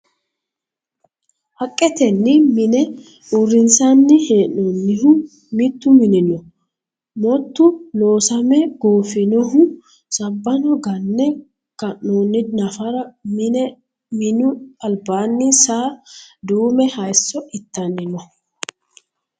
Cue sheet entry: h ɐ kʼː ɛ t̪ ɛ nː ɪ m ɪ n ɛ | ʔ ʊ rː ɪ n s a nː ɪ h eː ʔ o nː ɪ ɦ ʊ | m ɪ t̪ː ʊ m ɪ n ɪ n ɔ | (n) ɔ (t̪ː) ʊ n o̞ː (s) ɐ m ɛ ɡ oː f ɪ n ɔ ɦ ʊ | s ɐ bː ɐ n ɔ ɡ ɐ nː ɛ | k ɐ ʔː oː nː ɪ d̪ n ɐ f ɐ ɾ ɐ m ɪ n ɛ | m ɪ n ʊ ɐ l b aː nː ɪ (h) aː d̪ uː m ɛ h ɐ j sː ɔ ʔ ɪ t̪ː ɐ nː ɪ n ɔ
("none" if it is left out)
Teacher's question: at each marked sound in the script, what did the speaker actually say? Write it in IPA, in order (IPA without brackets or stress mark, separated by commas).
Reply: m, t̪ː, s, s